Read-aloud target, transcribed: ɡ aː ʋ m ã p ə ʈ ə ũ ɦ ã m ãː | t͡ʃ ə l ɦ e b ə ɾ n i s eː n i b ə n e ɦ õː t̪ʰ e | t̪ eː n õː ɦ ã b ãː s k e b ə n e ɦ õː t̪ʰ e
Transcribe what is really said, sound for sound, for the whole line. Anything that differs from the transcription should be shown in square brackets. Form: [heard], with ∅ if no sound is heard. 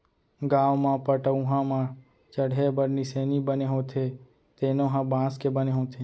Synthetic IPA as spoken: ɡ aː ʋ m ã p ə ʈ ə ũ ɦ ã m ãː | t͡ʃ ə [ɽ] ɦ e b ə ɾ n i s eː n i b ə n e ɦ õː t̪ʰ e | t̪ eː n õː ɦ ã b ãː s k e b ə n e ɦ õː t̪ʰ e